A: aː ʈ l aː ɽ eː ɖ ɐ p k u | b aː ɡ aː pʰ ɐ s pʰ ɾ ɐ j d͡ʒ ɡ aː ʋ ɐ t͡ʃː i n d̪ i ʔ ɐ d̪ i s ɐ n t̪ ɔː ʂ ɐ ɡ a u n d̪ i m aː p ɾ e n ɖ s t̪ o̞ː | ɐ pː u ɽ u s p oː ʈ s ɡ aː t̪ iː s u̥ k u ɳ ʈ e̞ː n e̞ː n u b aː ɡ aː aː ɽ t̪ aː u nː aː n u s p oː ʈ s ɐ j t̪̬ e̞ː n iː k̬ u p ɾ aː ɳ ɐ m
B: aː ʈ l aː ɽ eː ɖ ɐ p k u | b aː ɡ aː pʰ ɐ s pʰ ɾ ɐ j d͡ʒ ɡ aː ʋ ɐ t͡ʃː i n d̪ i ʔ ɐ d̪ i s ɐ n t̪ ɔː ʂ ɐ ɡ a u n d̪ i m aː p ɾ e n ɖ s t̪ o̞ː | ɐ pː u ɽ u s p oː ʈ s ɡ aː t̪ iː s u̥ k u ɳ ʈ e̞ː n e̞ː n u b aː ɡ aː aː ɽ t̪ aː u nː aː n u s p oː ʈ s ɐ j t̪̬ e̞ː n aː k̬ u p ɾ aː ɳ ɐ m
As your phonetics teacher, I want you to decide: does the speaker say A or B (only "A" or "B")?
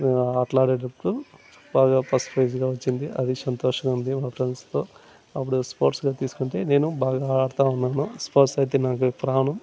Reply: B